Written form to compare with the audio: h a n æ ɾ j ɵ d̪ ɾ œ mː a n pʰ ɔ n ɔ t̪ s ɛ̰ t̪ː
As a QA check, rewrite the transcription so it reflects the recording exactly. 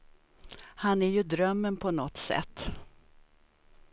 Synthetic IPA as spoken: h a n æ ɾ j ɵ d̪ ɾ œ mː ə n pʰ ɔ n ɔ t̪ s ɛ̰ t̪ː

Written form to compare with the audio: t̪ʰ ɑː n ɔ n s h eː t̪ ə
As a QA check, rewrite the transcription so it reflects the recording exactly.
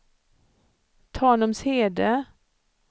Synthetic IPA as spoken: t̪ʰ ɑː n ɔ m s h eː d̪ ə

